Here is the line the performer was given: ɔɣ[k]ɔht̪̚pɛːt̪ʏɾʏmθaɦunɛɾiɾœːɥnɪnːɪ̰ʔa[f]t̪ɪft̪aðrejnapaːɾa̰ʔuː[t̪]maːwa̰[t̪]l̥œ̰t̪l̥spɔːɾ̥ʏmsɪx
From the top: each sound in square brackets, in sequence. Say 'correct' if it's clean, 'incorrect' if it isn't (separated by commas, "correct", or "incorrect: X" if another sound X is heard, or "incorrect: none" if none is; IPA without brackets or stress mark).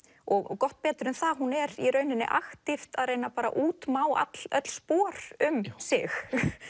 correct, incorrect: x, correct, correct